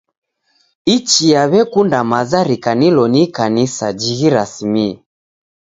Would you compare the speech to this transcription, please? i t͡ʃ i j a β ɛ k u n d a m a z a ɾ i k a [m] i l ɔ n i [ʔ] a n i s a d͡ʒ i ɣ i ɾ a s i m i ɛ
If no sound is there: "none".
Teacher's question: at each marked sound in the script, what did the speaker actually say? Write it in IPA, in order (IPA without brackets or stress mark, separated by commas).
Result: n, k